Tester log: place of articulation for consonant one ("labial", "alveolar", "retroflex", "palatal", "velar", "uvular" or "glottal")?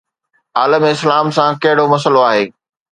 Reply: alveolar